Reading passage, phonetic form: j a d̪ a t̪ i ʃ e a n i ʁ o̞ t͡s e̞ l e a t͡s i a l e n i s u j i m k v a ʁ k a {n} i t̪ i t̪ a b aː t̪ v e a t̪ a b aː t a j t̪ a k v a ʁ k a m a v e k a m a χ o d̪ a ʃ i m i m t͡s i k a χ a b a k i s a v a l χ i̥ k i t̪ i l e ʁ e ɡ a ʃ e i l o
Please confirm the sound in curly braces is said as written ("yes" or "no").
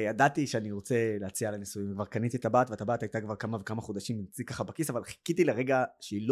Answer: yes